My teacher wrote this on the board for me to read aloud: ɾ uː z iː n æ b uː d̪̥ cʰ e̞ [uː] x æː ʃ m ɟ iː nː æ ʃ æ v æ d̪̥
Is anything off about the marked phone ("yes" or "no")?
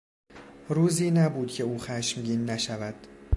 no